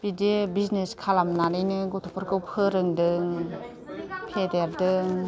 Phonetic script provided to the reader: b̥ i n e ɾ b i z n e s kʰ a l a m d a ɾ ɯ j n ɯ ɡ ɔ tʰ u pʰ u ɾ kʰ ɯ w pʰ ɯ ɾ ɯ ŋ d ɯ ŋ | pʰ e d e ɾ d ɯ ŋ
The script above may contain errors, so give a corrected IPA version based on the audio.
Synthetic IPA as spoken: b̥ i d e b i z n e s kʰ a l a m n a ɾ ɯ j n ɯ ɡ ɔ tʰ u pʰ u ɾ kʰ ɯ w pʰ ɯ ɾ ɯ ŋ d ɯ ŋ | pʰ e d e ɾ d ɯ ŋ

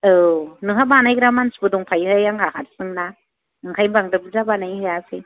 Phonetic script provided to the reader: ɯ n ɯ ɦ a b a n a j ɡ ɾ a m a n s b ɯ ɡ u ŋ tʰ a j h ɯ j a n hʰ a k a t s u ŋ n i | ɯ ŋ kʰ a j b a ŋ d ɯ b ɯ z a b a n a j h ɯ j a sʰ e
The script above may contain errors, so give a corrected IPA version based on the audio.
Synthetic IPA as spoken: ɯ n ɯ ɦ a b a n a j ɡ ɾ a m a n s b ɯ d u ŋ pʰ a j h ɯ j a ŋ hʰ a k a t s ɯ ŋ n a | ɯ ŋ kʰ a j b a ŋ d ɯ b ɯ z a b a n a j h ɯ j a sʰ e

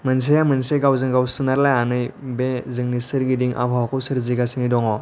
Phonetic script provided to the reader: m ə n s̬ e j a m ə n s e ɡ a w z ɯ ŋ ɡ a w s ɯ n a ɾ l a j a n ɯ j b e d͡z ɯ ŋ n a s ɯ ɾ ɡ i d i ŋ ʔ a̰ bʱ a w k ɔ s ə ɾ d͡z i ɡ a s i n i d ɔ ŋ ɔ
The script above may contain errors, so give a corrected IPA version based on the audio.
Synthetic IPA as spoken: m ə n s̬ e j a m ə n s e ɡ a w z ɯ ŋ ɡ a w s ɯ n a ɾ l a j a n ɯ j b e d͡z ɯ ŋ n i s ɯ ɾ ɡ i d i ŋ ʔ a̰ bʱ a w k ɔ s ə ɾ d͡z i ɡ a s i n i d ɔ ŋ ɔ

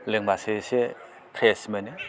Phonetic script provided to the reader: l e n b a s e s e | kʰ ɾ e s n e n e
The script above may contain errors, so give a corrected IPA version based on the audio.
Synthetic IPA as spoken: l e ŋ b a s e s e | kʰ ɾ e s m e n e

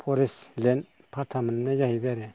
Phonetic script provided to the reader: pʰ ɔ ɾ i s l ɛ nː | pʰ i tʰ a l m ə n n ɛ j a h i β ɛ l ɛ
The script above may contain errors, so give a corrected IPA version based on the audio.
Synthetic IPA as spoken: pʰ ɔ ɾ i s l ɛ n | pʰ a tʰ a m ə n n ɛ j a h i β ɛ ɾ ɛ

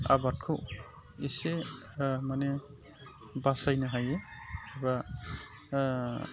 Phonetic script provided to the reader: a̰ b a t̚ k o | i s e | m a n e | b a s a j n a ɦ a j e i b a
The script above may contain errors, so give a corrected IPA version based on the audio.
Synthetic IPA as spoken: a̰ b a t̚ kʰ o | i s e | m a n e | b a s a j n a ɦ a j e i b a

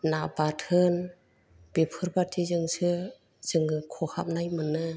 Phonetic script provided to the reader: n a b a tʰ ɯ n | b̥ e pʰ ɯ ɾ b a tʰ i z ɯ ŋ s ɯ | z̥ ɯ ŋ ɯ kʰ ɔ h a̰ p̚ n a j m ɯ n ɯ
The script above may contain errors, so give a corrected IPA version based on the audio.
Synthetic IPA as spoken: n a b a tʰ ɯ n | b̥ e pʰ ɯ ɾ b a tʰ i z ɯ ŋ s ɯ | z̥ ɯ ŋ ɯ kʰ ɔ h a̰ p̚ n a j m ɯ n ɯ

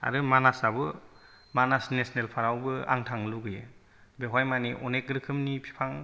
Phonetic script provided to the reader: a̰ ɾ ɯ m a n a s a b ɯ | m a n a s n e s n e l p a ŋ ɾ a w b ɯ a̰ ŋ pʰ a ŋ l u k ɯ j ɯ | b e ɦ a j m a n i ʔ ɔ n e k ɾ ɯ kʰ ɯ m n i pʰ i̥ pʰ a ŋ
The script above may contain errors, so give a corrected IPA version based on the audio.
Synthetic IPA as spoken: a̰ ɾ ɯ m a n a s a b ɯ | m a n a s n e s n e l pʰ a ɾ a w b ɯ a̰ ŋ tʰ a ŋ l u ɡ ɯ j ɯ | b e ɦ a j m a n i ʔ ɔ n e k ɾ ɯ kʰ ɯ m n i pʰ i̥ pʰ a ŋ

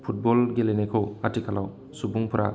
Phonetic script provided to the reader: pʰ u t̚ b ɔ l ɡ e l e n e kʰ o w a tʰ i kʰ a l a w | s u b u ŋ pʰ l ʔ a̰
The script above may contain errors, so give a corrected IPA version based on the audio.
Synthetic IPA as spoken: pʰ u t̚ b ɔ l ɡ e l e n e kʰ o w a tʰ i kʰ a l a w | s u b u ŋ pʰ ɾ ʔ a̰

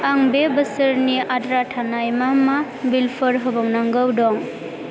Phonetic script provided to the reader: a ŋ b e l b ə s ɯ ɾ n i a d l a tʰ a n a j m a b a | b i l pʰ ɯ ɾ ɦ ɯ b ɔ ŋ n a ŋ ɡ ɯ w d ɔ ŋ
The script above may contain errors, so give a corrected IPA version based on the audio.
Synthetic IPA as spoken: a ŋ b e b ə s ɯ ɾ n i a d ɾ a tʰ a n a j m a m a | b i l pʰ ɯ ɾ ɦ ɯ b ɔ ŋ n a ŋ ɡ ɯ w d ɔ ŋ

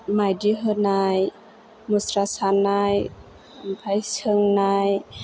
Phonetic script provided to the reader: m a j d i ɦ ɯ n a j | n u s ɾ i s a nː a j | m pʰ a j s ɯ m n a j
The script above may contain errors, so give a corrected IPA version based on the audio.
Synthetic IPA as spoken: m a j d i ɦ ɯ n a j | m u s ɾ a s a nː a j | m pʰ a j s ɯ ŋ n a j

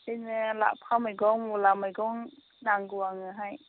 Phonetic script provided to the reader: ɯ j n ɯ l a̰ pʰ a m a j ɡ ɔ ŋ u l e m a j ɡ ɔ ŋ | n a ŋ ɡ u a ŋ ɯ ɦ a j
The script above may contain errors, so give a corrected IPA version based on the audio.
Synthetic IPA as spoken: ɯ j n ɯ l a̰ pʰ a m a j ɡ ɔ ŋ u l a m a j ɡ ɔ ŋ | n a ŋ ɡ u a ŋ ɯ ɦ a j

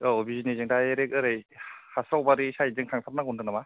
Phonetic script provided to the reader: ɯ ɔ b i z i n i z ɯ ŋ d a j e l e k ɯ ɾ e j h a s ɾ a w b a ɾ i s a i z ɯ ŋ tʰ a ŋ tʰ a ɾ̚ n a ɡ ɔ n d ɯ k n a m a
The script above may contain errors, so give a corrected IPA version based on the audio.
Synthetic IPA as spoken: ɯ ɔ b i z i n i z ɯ ŋ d a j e ɾ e k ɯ ɾ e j h a s ɾ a w b a ɾ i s a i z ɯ ŋ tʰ a ŋ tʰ a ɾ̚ n a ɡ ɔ n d ɯ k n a m a

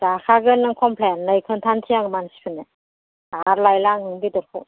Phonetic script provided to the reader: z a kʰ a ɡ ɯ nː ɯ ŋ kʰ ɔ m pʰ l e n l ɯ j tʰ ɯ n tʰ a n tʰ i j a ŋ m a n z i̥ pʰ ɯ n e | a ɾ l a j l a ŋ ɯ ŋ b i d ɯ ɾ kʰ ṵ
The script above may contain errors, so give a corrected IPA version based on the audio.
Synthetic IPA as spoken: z a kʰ a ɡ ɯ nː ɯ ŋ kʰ ɔ m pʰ l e n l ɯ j kʰ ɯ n tʰ a n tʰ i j a ŋ m a n s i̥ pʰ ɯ n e | a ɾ l a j l a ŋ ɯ ŋ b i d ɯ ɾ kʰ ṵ

